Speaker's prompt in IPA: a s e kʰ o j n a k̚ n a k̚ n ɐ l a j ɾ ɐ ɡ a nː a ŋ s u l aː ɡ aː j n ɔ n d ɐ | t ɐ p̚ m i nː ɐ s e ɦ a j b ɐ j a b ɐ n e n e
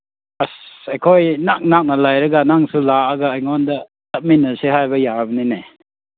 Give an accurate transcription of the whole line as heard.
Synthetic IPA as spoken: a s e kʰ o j n a k̚ n a k̚ n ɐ l a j ɾ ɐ ɡ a n a ŋ s u l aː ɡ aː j ŋ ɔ n d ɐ | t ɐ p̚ m i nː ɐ s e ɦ a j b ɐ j a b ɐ n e n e